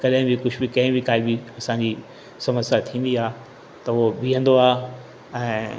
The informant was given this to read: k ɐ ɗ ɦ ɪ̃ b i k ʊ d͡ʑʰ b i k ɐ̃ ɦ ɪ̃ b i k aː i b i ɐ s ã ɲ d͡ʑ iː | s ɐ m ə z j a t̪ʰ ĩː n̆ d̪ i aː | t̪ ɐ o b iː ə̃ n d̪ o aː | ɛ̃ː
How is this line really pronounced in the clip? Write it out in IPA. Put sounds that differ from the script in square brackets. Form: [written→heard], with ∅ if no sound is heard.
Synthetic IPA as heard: k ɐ ɗ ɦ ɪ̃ b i k ʊ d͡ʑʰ b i k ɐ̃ ɦ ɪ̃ b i k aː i b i ɐ s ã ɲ d͡ʑ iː | s ɐ m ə [z→s] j a t̪ʰ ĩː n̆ d̪ i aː | t̪ ɐ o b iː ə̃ n d̪ o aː | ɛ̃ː

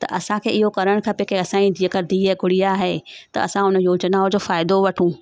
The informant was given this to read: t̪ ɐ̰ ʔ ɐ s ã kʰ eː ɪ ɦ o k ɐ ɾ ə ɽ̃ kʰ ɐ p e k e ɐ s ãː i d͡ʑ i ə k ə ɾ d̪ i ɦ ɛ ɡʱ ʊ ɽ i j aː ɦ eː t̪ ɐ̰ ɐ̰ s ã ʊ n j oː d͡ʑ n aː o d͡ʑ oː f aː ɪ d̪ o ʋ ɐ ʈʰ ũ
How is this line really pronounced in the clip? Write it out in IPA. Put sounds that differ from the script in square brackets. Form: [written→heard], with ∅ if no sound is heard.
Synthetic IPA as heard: t̪ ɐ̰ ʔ ɐ s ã kʰ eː ɪ ɦ o k ɐ ɾ ə ɽ̃ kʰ ɐ p e k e ɐ s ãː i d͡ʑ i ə k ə ɾ d̪ i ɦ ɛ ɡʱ ʊ ɽ i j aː ɦ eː t̪ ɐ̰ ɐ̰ s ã ʊ n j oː d͡ʑ n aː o d͡ʑ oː f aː ɪ d̪ o ʋ ɐ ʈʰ ũ

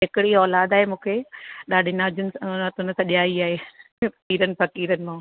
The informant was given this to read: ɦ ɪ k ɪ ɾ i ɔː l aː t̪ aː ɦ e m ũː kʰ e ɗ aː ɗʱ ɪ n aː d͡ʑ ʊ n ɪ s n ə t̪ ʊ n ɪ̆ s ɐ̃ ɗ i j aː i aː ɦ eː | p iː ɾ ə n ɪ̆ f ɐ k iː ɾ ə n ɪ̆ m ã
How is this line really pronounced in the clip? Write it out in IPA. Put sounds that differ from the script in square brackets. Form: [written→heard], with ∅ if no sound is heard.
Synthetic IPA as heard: ɦ ɪ k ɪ [ɾ→ɽ] i ɔː l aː [t̪→d̪] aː ɦ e m ũː kʰ e ɗ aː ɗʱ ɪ n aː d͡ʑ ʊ n ɪ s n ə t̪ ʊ n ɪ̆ s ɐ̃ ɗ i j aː i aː ɦ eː | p iː ɾ ə n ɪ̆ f ɐ k iː ɾ ə n ɪ̆ m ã

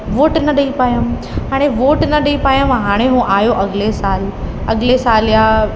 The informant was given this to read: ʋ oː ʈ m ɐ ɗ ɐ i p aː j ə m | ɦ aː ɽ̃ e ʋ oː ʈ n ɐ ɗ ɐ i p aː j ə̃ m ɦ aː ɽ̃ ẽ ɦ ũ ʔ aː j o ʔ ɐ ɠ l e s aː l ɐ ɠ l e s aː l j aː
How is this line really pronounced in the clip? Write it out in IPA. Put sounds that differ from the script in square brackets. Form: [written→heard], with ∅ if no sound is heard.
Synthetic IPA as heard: ʋ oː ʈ [m→n] ɐ ɗ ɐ i p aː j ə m | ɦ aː ɽ̃ e ʋ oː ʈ n ɐ ɗ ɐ i p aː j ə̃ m ɦ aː ɽ̃ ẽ ɦ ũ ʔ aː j o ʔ ɐ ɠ l e s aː l ɐ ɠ l e s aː l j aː

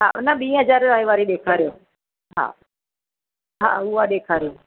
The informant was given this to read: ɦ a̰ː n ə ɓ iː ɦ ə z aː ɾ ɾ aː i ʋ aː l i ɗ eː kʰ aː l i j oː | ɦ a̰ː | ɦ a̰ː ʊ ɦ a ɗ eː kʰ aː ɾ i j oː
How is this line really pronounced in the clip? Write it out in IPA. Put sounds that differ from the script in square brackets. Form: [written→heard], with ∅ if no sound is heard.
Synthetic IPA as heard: ɦ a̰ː n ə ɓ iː ɦ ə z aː ɾ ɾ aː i ʋ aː [l→ɾ] i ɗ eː kʰ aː [l→ɾ] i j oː | ɦ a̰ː | ɦ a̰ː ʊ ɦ a ɗ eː kʰ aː ɾ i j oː

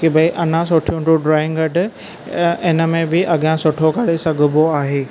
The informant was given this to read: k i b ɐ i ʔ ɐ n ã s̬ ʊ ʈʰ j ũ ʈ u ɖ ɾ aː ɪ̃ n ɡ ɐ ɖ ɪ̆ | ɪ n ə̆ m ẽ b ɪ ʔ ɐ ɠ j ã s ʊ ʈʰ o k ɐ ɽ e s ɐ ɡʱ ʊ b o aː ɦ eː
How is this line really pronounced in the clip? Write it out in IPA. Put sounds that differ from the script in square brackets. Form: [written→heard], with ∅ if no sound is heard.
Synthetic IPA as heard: k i b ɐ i ʔ ɐ n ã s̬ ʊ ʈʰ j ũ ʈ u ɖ ɾ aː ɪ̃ [n→ŋ] ɡ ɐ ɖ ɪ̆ | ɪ n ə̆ m ẽ b ɪ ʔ ɐ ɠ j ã s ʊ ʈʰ o k ɐ ɽ e s ɐ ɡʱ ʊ b o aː ɦ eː

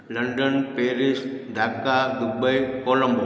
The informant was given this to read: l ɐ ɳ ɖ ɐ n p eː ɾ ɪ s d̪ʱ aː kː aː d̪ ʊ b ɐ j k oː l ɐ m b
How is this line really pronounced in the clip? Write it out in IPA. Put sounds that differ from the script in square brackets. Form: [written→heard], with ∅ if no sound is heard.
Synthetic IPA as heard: l ɐ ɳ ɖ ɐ n p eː ɾ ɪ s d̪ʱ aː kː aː d̪ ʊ b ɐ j k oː l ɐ m b

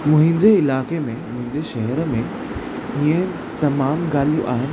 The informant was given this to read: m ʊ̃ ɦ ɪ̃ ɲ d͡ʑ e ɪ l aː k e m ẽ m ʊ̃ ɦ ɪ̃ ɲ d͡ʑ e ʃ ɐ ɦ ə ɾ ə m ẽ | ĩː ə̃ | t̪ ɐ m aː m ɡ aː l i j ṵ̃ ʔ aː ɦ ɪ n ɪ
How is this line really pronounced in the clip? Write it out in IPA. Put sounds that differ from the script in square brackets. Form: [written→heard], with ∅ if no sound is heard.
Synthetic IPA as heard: m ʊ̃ ɦ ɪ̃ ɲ d͡ʑ e ɪ l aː k e m ẽ m ʊ̃ ɦ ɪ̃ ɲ d͡ʑ e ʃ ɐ ɦ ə ɾ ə m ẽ | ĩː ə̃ | t̪ ɐ m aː m ɡ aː l i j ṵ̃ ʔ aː ɦ ɪ n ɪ

